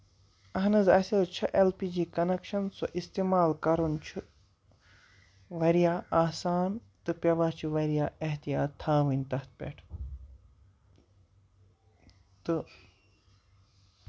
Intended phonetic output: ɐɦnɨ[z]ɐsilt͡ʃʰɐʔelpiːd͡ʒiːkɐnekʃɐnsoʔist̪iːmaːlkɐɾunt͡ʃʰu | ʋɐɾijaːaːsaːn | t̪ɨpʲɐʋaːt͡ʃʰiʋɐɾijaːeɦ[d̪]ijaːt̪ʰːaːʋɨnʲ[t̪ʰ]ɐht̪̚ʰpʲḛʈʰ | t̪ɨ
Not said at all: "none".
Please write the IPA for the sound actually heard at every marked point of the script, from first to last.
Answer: z, t̪, t̪

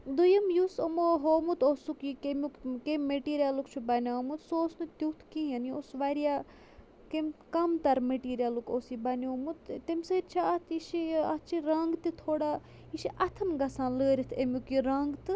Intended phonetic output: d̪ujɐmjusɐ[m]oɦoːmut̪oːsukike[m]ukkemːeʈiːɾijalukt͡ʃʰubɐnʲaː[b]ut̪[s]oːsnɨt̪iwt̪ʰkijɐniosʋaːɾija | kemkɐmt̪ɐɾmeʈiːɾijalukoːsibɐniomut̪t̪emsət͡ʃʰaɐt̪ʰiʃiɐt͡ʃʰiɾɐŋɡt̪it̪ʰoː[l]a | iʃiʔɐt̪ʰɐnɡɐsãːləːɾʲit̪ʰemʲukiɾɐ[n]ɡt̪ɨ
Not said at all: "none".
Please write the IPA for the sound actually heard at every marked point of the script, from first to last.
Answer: m, m, m, s, ɽ, ŋ

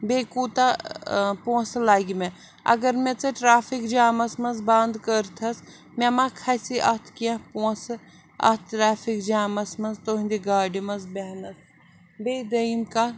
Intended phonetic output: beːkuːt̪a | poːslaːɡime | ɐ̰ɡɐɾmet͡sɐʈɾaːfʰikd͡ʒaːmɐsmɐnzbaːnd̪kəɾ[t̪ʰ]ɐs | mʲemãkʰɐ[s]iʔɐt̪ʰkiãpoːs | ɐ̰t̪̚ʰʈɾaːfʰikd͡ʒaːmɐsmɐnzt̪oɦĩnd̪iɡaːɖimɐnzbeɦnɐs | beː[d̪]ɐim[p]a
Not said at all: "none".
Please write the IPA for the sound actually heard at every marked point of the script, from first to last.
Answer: t̪ʰ, s, d̪, k

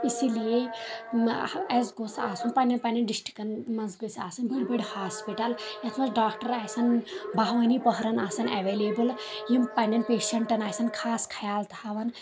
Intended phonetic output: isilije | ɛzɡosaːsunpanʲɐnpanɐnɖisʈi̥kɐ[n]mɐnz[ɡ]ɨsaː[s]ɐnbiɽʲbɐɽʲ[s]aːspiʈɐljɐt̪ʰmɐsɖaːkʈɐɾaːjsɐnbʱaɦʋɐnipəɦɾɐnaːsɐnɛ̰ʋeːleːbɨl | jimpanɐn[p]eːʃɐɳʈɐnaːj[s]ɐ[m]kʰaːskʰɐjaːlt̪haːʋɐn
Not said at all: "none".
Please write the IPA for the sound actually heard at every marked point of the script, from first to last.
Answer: n, ɡ, s, h, p, s, n

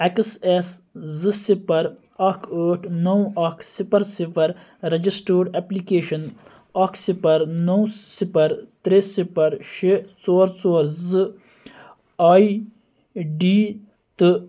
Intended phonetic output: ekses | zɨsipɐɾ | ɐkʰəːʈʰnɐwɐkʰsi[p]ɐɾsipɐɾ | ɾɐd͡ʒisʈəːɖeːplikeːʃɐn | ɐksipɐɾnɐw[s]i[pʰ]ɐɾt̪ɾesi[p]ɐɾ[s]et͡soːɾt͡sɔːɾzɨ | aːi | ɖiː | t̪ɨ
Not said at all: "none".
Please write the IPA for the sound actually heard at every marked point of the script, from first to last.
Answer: p, s, p, p, ʃ

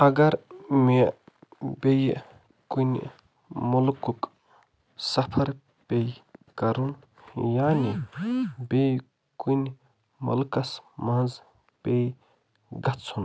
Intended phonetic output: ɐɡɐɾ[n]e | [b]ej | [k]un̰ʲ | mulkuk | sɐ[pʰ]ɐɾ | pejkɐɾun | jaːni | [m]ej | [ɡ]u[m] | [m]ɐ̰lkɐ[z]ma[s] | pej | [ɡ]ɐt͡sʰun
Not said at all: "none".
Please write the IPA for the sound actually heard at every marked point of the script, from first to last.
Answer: m, b, k, pʰ, b, k, n, m, s, z, ɡ

